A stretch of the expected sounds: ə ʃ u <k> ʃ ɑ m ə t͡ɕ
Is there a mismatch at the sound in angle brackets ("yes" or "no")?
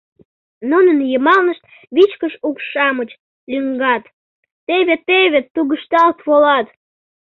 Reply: no